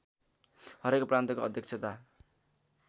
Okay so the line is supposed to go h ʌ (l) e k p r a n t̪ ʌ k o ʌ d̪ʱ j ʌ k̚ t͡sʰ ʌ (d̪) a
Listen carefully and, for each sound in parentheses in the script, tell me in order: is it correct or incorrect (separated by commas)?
incorrect, incorrect